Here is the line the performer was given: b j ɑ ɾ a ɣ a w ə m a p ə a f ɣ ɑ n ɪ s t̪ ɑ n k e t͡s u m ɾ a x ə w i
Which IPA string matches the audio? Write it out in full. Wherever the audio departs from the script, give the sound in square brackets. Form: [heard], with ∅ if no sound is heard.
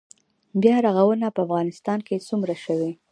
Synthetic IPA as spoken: b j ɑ ɾ a ɣ a w ə [n] a p ə a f ɣ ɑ n ɪ s t̪ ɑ n k e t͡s u m ɾ a [ʃ] ə w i